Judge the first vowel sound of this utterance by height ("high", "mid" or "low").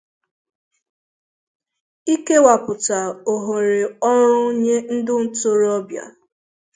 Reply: high